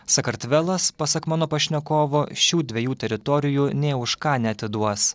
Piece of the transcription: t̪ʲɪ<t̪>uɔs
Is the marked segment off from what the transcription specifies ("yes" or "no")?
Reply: yes